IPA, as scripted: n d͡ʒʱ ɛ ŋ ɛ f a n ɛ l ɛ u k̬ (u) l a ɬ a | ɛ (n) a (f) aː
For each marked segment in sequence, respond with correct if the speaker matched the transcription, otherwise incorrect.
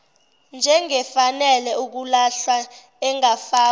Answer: correct, incorrect: ŋ, correct

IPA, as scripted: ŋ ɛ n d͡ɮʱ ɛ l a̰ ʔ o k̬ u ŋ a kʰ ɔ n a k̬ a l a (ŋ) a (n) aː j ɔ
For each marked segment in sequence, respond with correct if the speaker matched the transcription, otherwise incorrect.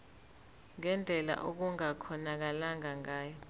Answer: correct, incorrect: ŋ

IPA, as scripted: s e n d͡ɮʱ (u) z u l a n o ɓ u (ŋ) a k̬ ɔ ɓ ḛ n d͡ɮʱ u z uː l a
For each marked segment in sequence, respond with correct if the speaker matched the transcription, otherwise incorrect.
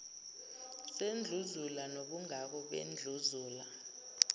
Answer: correct, correct

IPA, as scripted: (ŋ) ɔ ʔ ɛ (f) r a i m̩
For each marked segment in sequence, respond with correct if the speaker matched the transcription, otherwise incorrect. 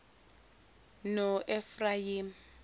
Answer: incorrect: n, correct

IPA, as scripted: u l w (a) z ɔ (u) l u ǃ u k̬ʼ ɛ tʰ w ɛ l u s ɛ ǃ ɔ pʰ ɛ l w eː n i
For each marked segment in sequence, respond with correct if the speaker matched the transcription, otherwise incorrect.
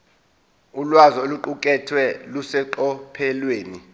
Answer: correct, incorrect: o

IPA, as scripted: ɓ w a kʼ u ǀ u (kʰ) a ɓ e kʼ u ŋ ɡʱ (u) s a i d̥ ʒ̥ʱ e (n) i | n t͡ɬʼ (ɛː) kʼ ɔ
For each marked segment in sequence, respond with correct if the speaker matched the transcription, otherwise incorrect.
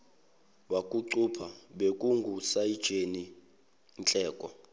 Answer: incorrect: pʰ, correct, correct, correct

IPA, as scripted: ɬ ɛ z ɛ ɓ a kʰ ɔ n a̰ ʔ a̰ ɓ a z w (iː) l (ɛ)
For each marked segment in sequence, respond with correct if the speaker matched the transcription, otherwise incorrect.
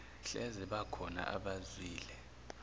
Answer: correct, correct

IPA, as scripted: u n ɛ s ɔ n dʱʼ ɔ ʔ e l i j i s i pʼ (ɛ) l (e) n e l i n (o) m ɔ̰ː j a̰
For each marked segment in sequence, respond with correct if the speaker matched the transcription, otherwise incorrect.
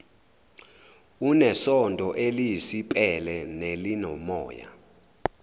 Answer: correct, incorrect: ɛ, incorrect: ɔ

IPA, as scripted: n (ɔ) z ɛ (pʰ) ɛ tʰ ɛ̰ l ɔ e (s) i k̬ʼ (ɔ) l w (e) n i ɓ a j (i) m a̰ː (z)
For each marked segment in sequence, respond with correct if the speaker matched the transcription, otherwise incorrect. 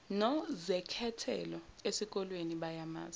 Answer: correct, incorrect: kʰ, correct, correct, correct, incorrect: a, correct

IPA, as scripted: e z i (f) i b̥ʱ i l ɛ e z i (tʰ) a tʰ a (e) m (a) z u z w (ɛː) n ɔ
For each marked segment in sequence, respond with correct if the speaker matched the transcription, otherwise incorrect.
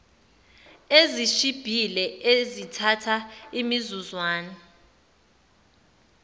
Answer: incorrect: ʃ, correct, incorrect: i, incorrect: i, incorrect: aː

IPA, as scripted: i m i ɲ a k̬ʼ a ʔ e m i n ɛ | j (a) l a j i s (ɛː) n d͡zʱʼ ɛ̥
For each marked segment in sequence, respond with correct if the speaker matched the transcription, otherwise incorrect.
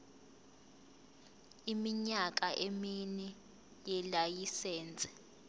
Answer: incorrect: ɛ, correct

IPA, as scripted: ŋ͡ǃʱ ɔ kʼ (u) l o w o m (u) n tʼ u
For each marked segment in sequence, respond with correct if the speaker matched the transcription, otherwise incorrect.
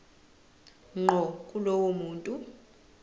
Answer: correct, incorrect: uː

